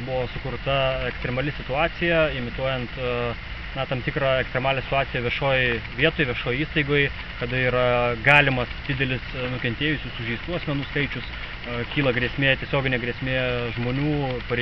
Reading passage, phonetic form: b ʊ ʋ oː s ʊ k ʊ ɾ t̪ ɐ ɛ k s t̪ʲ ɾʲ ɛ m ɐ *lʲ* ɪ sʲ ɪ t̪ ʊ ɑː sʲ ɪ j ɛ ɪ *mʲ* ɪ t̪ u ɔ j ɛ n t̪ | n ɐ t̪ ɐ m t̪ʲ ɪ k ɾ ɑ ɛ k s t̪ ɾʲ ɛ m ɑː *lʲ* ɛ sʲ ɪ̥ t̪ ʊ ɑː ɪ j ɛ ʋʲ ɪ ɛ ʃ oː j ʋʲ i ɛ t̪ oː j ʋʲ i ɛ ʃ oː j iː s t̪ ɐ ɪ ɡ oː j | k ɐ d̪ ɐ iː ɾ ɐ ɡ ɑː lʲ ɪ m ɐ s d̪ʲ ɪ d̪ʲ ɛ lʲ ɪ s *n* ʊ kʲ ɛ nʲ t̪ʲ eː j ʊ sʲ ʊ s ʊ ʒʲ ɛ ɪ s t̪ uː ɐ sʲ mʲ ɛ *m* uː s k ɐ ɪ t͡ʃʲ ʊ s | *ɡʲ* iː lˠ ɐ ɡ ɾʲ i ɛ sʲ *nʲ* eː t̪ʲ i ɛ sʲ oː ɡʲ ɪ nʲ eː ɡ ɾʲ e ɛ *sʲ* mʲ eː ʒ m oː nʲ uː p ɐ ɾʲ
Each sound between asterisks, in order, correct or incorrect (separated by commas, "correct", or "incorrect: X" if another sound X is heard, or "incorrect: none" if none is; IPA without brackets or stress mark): correct, correct, correct, correct, incorrect: n, incorrect: kʲ, incorrect: mʲ, correct